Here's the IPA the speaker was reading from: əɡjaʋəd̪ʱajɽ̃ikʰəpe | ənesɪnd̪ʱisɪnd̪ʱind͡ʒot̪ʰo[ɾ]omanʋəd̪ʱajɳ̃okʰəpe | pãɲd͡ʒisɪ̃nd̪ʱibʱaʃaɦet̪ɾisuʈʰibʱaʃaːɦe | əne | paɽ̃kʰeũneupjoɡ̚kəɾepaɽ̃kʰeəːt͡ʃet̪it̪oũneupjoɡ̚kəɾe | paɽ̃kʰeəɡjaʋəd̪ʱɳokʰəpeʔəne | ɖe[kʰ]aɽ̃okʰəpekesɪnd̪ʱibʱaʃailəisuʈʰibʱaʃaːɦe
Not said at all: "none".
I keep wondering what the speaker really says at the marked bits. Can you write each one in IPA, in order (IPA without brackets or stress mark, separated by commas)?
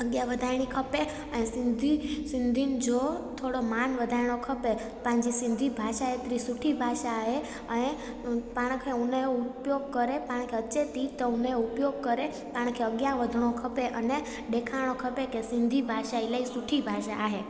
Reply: ɽ, kʰ